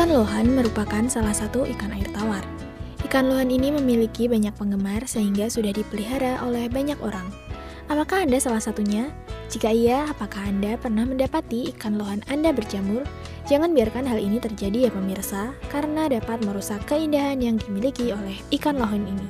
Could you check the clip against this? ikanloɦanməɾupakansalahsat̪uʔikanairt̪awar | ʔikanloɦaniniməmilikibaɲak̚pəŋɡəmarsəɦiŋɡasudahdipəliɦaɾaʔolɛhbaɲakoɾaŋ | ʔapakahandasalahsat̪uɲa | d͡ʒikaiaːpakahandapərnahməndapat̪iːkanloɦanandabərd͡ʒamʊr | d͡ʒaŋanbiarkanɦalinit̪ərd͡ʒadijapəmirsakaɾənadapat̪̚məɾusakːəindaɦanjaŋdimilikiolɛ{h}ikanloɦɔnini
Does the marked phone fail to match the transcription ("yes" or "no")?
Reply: no